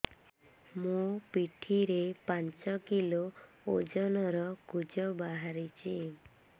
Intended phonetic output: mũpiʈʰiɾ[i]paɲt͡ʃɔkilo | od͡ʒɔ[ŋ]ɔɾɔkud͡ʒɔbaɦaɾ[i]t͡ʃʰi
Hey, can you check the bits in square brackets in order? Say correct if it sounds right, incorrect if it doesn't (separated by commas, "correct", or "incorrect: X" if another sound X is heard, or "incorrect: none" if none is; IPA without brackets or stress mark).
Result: incorrect: e, incorrect: n, correct